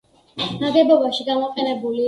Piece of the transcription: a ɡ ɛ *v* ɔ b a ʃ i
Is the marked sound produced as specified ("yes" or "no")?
no